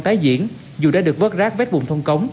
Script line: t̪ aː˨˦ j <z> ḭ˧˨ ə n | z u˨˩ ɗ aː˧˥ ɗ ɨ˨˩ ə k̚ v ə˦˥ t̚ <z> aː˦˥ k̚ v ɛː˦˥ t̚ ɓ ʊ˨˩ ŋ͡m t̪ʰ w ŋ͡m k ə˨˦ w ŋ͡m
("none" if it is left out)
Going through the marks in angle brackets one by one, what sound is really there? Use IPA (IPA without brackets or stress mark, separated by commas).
z, z